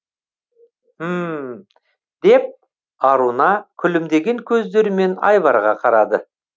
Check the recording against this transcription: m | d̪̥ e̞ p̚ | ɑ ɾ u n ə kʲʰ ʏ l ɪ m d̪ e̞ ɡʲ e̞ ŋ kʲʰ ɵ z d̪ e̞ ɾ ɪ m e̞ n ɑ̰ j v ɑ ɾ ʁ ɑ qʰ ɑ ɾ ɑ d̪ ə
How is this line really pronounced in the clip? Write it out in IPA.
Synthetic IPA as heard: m | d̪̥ e̞ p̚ | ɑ ɾ u n ɑ kʲʰ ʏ l ɪ m d̪ e̞ ɡʲ e̞ ŋ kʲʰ ɵ z d̪ e̞ ɾ ɪ m e̞ n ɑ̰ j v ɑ ɾ ʁ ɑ qʰ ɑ ɾ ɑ d̪ ə